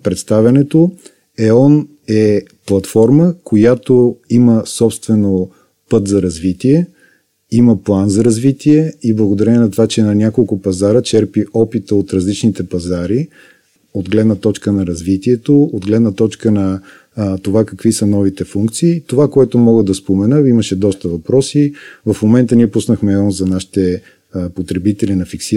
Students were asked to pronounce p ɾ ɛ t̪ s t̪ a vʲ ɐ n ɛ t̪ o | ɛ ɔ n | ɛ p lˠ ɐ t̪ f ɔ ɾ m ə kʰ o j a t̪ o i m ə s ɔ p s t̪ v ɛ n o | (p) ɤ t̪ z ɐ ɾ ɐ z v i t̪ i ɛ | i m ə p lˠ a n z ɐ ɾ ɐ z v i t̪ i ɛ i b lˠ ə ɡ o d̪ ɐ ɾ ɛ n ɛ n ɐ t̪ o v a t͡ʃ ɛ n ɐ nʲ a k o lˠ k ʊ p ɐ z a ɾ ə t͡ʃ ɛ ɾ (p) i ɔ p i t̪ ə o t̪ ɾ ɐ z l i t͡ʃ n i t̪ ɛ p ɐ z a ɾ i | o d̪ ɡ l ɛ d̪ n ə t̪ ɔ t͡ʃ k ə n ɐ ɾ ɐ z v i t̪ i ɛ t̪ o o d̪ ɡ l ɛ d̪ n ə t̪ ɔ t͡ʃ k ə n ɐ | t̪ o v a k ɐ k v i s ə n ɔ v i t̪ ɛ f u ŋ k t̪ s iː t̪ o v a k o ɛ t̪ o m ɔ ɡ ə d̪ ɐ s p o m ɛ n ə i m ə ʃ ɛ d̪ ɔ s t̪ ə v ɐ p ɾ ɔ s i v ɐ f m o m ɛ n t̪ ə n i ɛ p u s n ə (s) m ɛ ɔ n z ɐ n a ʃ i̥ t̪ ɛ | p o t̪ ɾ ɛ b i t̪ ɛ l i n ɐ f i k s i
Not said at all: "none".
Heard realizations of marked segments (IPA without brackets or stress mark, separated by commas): p, p, x